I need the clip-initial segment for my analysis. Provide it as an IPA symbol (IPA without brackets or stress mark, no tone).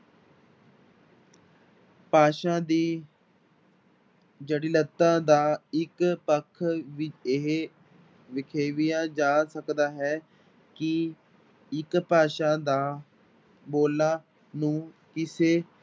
p